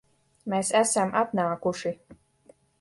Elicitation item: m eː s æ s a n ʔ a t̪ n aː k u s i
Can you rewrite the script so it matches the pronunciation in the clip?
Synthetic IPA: m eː s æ s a m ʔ a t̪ n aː k u ʃ i